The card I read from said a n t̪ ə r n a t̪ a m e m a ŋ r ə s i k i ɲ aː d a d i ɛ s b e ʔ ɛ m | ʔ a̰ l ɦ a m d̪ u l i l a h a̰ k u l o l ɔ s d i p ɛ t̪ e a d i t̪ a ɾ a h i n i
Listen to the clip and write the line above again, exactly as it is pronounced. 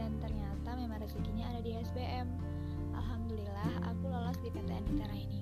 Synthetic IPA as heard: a n t̪ ə r ɲ a t̪ a m e m a ŋ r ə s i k i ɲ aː d a d i ɛ s b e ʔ ɛ m | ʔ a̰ l ɦ a m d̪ u l i l a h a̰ k u l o l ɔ s d i p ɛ t̪ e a n i t̪ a ɾ a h i n i